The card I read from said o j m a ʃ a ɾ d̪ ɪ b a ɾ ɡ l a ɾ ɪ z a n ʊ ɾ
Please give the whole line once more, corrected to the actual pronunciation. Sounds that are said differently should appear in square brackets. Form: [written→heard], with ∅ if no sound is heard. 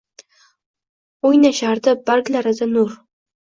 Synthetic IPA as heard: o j [m→n] a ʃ a ɾ d̪ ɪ b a ɾ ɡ l a ɾ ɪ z a n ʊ ɾ